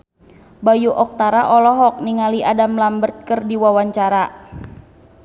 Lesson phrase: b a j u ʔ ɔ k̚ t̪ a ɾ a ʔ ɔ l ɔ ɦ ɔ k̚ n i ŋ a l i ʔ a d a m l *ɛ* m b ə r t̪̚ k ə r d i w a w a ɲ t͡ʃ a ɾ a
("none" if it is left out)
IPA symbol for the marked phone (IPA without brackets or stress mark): a